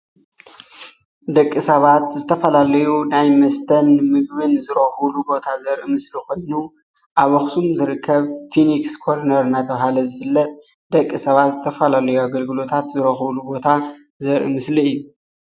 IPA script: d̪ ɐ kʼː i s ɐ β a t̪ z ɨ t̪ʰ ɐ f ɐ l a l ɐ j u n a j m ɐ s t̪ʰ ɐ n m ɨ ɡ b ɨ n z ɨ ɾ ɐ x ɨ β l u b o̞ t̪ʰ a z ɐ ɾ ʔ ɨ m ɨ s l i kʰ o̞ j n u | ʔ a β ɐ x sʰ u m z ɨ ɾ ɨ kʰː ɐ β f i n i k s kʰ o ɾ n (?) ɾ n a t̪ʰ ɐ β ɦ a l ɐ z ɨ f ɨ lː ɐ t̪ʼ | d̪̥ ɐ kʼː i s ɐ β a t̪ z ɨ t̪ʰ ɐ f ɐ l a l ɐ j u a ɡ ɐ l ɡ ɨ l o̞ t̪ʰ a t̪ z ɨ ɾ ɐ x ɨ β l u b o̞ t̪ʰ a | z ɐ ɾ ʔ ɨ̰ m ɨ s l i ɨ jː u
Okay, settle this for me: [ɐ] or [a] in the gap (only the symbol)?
ɐ